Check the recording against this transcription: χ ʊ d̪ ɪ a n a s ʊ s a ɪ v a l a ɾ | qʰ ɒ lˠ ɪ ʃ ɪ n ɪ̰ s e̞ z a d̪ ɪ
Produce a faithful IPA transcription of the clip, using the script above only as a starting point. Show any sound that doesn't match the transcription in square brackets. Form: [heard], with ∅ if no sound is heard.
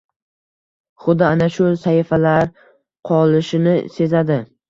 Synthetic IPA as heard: χ ʊ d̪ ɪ a n a [ʃ] ʊ s a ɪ [f] a l a ɾ | qʰ ɒ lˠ ɪ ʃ ɪ n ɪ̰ s e̞ z a d̪ ɪ